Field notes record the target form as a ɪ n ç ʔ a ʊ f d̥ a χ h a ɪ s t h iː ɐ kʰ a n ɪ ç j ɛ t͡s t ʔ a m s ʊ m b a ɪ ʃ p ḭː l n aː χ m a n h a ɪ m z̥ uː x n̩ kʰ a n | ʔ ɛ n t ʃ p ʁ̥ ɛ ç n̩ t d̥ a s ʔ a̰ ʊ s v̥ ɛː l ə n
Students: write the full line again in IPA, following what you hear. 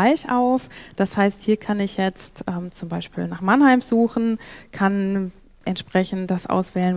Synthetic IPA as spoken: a ɪ ç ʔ a ʊ f d̥ a s h a ɪ s t h iː ɐ kʰ a n ɪ ç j ɛ t͡s t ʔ ɛ m t͡s ʊ m b a ɪ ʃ p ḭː l n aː χ m a n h a ɪ m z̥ uː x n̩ kʰ a n | ʔ ɛ n t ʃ p ʁ̥ ɛ ç n̩ t d̥ a s ʔ a̰ ʊ s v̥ ɛː l ə n